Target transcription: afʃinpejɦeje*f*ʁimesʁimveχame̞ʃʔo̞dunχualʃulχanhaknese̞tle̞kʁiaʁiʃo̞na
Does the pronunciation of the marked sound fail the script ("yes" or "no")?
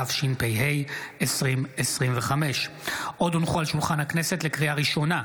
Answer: yes